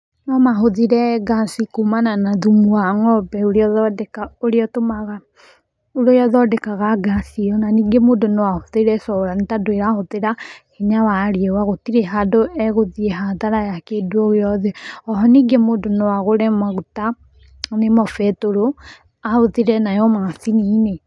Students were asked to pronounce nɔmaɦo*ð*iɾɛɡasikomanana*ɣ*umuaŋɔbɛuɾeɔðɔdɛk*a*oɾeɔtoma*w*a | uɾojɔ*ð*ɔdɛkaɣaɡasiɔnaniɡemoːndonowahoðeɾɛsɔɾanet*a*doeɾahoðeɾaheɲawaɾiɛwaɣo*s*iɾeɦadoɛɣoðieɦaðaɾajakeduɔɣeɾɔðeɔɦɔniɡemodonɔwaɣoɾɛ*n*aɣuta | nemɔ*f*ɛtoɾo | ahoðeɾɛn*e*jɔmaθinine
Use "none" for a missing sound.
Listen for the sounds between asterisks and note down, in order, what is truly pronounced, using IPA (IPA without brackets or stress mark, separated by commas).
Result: ð, ð, a, ɣ, ð, a, t, m, f, a